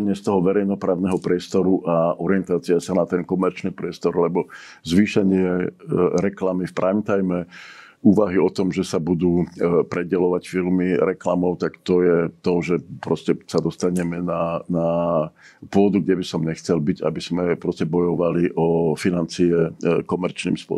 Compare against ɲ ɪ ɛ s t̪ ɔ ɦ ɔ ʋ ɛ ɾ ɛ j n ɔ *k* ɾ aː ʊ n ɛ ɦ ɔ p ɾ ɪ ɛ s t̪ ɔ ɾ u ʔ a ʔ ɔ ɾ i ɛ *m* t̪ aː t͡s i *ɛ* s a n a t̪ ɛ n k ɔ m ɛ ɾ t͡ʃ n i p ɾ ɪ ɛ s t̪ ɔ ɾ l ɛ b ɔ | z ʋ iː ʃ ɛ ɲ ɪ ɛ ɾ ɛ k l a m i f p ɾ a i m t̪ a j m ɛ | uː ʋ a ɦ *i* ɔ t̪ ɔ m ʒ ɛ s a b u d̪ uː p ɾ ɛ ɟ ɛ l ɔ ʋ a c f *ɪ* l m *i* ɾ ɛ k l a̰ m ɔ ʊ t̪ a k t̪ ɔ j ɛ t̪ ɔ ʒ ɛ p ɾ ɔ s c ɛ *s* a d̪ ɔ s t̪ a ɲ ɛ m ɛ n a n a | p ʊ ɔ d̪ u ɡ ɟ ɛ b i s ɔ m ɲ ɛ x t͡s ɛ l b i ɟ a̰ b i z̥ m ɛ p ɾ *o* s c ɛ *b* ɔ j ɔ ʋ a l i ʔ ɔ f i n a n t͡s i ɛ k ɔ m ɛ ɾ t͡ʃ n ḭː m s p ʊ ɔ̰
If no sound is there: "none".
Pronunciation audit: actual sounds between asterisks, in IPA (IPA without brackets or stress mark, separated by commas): p, n, a, i, i, i, s, ɔ, b